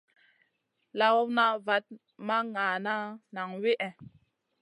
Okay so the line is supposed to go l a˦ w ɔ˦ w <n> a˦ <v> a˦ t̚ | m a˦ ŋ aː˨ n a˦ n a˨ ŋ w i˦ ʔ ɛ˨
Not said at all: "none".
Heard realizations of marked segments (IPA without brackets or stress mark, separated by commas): n, v